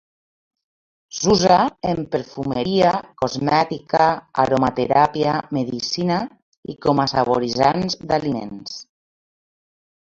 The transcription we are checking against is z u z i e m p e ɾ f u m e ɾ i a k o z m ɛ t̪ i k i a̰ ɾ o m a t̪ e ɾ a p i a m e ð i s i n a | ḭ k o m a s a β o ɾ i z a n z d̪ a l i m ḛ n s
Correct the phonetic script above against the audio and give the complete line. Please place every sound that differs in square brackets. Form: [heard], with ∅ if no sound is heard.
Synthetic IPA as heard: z u z [a] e m p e ɾ f u m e ɾ i a k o z m ɛ t̪ i k [a] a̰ ɾ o m a t̪ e ɾ a p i a m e ð i s i n a | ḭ k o m a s a β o ɾ i z a n z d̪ a l i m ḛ n s